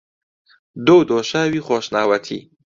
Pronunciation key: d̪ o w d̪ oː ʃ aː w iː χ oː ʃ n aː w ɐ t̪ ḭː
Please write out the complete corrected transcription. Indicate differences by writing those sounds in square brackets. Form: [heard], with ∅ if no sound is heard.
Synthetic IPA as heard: d̪ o w d̪ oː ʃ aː w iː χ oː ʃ n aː w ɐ [t̪ʰ] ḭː